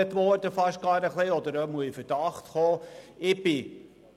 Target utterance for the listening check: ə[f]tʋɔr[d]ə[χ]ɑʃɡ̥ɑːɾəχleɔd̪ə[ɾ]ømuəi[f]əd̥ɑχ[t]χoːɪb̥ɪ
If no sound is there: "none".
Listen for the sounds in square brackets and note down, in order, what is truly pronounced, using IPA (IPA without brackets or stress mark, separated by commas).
none, d, f, ɾ, f, t